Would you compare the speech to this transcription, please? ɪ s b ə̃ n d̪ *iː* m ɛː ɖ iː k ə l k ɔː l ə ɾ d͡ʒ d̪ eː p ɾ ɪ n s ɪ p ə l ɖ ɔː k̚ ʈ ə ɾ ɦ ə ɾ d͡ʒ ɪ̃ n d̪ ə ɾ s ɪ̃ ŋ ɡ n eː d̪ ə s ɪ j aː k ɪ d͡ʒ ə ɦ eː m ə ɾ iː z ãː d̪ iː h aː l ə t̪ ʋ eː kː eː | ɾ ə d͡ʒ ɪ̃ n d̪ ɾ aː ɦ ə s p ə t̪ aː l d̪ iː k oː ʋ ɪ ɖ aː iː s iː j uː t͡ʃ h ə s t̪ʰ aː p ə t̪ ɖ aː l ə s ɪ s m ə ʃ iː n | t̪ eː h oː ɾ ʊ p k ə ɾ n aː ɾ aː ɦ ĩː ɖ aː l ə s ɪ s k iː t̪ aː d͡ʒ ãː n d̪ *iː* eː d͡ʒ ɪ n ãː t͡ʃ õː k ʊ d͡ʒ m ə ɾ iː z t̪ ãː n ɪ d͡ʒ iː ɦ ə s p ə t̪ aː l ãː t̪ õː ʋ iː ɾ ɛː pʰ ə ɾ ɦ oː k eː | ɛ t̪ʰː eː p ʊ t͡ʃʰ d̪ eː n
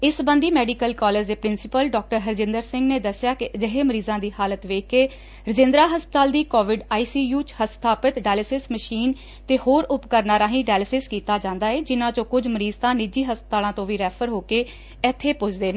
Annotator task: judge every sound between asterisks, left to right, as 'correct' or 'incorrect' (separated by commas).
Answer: correct, incorrect